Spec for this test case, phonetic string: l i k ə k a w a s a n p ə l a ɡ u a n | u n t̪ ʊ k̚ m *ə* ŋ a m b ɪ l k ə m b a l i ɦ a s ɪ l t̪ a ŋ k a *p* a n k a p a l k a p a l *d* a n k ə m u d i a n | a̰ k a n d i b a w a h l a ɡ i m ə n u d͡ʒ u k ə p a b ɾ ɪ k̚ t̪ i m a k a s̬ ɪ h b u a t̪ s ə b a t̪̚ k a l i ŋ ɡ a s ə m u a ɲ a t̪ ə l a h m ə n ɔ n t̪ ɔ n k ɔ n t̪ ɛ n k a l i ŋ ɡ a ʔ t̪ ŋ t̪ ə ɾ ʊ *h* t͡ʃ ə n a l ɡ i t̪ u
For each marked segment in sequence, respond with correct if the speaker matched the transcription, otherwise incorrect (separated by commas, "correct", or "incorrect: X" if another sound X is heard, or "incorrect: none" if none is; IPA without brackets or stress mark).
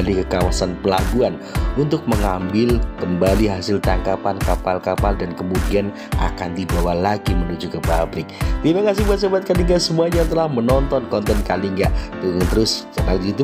correct, correct, correct, incorrect: s